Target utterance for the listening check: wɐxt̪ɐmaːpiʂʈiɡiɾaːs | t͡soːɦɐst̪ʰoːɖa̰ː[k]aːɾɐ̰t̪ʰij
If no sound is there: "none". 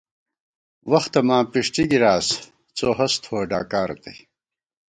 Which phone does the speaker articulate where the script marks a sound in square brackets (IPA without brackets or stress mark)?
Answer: k